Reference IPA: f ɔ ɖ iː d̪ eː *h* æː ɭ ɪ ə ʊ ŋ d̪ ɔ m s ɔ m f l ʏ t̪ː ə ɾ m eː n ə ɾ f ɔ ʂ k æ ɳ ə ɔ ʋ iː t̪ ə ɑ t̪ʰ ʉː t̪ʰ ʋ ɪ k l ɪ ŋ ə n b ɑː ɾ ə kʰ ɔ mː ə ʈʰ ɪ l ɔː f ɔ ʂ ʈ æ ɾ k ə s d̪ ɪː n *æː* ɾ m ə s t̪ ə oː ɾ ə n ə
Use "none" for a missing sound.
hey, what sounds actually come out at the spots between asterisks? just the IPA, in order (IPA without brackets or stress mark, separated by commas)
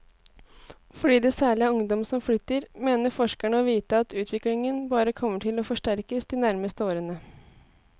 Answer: s, æ